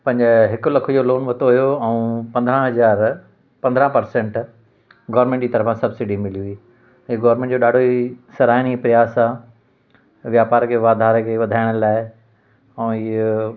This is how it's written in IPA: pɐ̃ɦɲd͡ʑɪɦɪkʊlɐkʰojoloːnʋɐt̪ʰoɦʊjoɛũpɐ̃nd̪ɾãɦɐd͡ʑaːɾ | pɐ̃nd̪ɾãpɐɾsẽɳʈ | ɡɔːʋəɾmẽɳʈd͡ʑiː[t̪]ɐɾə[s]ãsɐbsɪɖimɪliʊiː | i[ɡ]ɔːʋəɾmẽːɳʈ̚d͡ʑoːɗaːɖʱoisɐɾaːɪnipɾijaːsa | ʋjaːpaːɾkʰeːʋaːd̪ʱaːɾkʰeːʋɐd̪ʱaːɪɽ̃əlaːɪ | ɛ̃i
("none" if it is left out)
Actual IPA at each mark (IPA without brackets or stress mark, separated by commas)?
t̪, f, ɡ